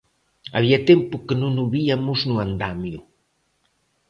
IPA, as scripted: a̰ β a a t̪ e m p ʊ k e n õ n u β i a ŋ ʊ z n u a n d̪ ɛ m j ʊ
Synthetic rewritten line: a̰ β i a t̪ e m p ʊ k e n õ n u β i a m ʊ z n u a n d̪ a m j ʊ

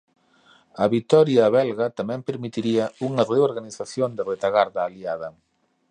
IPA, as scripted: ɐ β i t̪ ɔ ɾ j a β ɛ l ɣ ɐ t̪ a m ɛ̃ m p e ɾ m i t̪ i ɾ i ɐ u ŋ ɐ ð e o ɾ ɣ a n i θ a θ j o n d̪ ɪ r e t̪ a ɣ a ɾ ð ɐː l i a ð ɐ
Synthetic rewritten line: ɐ β i t̪ ɔ ɾ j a β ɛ l ɣ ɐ t̪ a m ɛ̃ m p e ɾ m i t̪ i ɾ i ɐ u ŋ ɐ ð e o ɾ ɣ a n i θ a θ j o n d̪ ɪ r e t̪ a ɣ a ɾ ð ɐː l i a ð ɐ

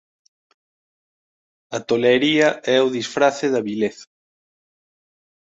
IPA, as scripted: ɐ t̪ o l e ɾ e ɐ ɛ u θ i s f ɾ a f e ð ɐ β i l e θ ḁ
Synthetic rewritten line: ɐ t̪ o l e ɾ i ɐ ɛ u ð i s f ɾ a θ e ð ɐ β i l e θ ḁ

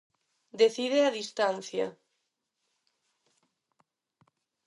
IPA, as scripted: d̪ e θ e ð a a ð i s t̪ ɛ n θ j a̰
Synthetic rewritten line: d̪ e θ i ð e a ð i s t̪ a n θ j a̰

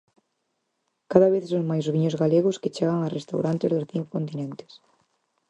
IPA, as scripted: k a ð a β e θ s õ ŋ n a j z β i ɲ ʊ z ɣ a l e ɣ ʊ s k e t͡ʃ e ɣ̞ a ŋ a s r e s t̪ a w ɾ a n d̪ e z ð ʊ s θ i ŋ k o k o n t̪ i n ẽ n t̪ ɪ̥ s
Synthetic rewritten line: k a ð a β e θ s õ ŋ m a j z β i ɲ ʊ z ɣ a l e ɣ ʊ s k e t͡ʃ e ɣ̞ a ŋ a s r e s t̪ a w ɾ a n t̪ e z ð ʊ s θ i ŋ k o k o n t̪ i n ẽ n t̪ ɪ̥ s

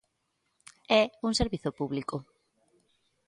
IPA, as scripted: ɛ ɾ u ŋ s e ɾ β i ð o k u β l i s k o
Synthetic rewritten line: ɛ u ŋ s e ɾ β i θ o p u β l i k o

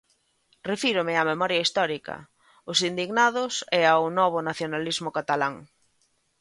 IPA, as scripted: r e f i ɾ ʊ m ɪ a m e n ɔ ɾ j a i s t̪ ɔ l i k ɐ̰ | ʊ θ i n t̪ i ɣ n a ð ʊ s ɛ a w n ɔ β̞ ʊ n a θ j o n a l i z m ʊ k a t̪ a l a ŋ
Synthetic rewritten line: r e f i ɾ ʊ m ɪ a m e m ɔ ɾ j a i s t̪ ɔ ɾ i k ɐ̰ | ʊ s i n d̪ i ɣ n a ð ʊ s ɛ a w n ɔ β̞ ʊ n a θ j o n a l i z m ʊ k a t̪ a l a ŋ

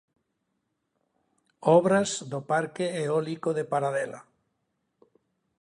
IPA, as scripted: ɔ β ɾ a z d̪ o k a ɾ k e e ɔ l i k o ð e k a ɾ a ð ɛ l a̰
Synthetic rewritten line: ɔ β ɾ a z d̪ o p a ɾ k e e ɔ l i k o ð e p a ɾ a ð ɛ l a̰

